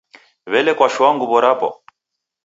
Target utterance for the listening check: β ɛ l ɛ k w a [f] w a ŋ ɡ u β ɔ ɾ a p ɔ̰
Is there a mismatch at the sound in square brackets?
yes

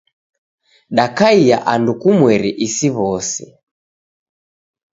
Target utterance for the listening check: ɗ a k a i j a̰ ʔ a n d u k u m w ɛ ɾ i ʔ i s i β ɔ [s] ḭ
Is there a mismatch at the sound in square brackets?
no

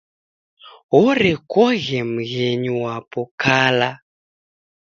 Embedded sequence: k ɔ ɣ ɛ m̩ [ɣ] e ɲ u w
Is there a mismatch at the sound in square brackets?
no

